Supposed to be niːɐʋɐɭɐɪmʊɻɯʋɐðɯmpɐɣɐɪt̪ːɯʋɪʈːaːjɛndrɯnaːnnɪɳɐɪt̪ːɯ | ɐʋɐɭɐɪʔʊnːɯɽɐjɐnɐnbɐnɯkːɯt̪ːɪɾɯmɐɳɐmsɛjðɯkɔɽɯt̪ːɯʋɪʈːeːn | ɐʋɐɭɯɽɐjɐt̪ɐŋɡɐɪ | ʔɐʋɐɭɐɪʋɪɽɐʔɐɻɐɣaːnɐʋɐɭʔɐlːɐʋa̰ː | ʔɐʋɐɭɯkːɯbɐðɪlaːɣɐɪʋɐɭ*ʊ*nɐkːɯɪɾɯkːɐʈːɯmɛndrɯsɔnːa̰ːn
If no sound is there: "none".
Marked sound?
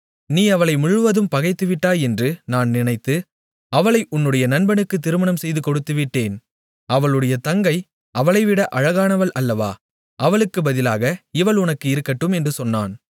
ʊ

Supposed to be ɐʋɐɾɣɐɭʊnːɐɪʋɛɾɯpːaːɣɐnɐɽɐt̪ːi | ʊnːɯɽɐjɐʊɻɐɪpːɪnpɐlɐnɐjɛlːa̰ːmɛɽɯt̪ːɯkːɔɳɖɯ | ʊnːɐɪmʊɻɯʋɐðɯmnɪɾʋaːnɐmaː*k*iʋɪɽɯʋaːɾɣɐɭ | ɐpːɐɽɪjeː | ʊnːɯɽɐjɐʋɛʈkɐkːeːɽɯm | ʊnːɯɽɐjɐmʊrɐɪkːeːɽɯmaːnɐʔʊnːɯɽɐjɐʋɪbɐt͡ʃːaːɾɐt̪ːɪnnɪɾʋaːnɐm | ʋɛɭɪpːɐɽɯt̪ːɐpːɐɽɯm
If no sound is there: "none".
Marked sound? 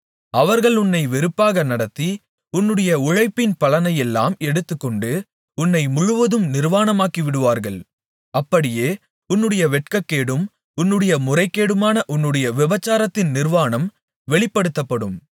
k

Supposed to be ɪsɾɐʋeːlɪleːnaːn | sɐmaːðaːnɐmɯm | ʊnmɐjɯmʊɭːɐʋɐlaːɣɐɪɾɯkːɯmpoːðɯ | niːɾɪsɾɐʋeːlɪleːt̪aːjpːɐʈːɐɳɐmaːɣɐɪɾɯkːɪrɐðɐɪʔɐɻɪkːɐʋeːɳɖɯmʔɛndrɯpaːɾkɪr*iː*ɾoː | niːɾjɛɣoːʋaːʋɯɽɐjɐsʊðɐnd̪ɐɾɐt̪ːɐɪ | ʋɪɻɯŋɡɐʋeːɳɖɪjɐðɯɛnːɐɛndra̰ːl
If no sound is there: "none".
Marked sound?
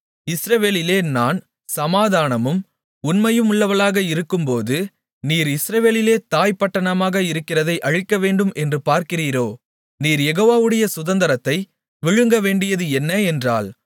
iː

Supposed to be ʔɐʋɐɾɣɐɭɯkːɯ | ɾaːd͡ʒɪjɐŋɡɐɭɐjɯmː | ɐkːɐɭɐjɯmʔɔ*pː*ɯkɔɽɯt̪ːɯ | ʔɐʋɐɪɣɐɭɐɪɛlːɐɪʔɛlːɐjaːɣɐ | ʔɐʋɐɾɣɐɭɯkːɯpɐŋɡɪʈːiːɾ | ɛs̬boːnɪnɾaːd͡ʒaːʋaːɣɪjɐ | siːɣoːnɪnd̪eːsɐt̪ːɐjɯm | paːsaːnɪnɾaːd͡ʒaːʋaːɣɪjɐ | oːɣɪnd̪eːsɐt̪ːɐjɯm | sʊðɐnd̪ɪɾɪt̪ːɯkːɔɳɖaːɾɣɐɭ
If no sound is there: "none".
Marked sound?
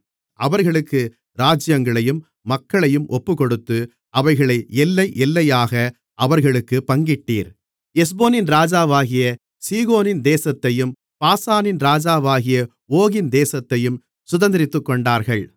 pː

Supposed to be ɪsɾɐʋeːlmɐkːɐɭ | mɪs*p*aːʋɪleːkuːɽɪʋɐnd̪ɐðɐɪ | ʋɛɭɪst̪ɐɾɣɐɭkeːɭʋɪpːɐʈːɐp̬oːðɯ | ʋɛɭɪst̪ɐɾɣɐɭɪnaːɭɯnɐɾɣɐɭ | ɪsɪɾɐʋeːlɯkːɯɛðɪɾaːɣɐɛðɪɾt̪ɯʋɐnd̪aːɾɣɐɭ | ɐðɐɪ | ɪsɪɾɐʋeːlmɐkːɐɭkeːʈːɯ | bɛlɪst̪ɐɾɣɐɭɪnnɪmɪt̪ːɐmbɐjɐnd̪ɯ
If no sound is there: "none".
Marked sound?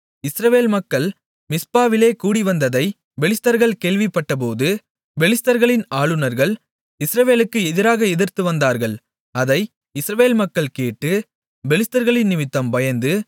p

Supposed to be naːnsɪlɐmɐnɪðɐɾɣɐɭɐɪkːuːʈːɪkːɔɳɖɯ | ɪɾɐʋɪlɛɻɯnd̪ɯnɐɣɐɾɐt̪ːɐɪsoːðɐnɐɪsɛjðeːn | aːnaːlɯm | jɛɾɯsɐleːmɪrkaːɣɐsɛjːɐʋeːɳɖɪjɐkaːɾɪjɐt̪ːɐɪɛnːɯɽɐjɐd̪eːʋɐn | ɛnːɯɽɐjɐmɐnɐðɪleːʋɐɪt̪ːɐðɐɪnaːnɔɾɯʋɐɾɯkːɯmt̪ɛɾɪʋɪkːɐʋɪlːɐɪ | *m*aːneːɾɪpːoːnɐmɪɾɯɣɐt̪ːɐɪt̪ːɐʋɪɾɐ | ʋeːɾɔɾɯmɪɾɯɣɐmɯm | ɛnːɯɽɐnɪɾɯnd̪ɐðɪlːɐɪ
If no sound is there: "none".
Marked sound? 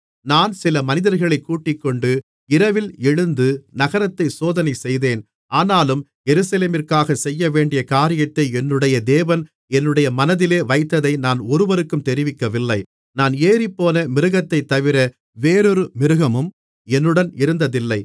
n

